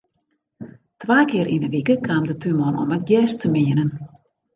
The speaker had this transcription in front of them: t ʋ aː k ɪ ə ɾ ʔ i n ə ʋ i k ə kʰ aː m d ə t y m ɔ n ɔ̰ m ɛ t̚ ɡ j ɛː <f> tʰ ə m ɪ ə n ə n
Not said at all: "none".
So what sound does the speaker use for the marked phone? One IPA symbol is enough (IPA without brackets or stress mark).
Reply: s